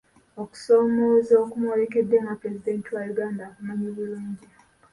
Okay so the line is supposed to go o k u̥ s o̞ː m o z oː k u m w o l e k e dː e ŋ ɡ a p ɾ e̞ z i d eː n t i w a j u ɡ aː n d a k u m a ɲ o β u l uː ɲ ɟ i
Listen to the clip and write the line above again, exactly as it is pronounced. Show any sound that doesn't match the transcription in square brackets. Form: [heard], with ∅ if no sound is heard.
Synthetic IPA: o k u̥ s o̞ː m o z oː k u m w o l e k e dː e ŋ ɡ a p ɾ e̞ z i d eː n t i w a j u ɡ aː n d a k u m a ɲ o β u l uː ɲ ɟ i